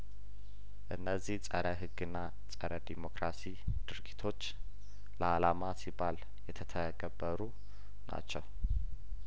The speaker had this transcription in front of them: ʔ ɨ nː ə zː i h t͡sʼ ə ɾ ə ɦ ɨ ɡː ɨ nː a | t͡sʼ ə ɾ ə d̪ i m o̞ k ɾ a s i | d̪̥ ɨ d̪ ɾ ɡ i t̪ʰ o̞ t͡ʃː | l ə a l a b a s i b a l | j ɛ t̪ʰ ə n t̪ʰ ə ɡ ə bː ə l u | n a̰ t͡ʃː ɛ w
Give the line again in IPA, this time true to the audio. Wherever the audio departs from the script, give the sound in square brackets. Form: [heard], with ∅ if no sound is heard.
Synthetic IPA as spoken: ʔ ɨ nː ə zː i h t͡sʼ ə ɾ ə ɦ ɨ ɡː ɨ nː a | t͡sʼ ə ɾ ə d̪ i m o̞ k ɾ a s i | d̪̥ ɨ [∅] ɾ ɡ i t̪ʰ o̞ t͡ʃː | l ə a l a [m] a s i b a l | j ɛ t̪ʰ ə [∅] t̪ʰ ə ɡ ə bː ə [ɾ] u | n a̰ t͡ʃː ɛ w